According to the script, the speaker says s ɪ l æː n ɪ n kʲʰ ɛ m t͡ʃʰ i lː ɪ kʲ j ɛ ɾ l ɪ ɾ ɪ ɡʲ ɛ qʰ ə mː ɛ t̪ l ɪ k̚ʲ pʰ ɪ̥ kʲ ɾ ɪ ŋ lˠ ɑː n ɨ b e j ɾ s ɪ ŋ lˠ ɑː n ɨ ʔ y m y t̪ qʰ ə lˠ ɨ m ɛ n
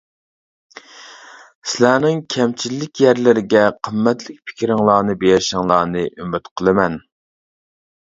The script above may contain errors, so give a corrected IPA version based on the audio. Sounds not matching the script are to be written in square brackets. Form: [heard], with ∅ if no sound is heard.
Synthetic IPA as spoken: s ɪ l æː n ɪ [ŋ] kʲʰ ɛ m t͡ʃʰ i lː ɪ kʲ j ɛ ɾ l ɪ ɾ ɪ ɡʲ ɛ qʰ ə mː ɛ t̪ l ɪ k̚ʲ pʰ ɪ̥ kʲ ɾ ɪ ŋ lˠ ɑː n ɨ b e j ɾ [ʃ] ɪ ŋ lˠ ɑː n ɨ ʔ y m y t̪ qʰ ə lˠ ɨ m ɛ n